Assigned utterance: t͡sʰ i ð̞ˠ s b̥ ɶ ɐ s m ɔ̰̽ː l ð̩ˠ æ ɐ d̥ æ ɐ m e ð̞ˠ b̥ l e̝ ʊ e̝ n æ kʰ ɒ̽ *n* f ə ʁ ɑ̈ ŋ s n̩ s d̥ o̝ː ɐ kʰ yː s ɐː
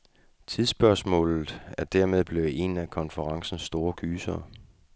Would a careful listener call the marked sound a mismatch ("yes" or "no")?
no